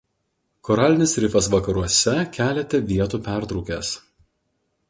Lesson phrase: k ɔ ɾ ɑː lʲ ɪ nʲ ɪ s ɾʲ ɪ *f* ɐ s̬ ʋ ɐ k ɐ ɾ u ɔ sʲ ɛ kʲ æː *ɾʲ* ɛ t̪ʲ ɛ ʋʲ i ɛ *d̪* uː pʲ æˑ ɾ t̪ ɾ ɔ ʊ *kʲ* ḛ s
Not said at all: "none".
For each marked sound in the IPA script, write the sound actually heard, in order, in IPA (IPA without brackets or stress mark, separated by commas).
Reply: f, lʲ, t̪, kʲ